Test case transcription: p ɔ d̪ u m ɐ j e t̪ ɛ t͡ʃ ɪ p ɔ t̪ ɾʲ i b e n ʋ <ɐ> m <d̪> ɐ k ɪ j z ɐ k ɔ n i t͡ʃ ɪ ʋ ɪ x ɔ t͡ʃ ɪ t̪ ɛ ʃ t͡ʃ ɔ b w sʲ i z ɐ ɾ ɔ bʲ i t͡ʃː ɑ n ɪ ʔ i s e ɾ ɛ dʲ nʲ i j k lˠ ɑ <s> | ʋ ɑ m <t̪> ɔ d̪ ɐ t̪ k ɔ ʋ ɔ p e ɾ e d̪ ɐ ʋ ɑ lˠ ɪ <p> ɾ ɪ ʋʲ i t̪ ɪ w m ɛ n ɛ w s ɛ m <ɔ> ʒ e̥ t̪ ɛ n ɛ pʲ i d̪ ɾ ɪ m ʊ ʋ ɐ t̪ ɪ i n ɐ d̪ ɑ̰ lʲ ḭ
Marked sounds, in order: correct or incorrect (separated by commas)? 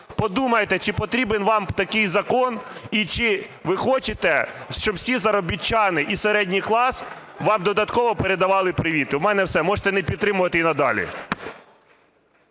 incorrect, incorrect, correct, incorrect, correct, correct